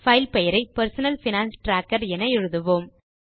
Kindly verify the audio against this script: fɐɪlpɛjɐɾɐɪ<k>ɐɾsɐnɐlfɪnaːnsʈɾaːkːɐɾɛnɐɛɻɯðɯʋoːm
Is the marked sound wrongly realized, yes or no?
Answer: yes